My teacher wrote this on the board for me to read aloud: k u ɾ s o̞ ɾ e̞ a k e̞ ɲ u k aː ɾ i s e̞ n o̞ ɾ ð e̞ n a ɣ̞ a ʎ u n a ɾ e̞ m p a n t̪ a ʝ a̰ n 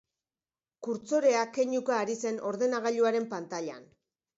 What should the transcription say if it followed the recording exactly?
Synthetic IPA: k u ɾ t͡s o̞ ɾ e̞ a k e̞ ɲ u k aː ɾ i s e̞ n o̞ ɾ ð e̞ n a ɣ̞ a ʎ u a ɾ e̞ m p a n t̪ a ʎ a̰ n